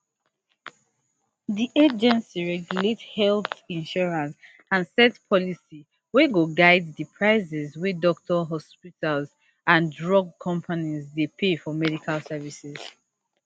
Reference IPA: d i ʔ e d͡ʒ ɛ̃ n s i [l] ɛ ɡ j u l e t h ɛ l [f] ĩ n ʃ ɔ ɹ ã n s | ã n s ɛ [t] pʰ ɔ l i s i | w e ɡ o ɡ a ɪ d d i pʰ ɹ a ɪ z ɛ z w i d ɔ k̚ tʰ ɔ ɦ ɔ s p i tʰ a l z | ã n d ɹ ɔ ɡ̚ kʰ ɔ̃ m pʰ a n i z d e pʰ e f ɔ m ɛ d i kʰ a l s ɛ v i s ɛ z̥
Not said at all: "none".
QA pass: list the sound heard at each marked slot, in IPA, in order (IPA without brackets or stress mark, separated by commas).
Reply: ɹ, θ, t